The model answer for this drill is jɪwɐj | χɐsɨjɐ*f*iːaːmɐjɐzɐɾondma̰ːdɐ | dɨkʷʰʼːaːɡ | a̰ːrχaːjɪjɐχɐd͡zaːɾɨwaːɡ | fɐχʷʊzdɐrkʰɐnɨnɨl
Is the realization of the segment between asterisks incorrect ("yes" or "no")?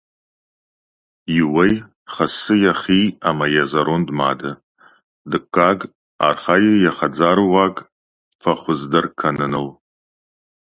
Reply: yes